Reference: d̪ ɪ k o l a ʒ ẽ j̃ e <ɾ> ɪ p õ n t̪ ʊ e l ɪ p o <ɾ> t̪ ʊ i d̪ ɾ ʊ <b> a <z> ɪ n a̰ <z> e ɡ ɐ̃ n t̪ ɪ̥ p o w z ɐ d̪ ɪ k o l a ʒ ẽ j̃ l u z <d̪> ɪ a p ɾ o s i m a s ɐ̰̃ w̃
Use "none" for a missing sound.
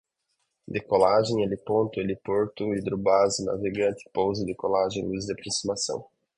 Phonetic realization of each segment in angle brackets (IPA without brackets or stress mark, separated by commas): l, ɾ, b, z, v, d̪